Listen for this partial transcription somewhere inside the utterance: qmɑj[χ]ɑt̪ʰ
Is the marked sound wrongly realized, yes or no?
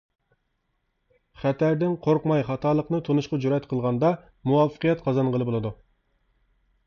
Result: no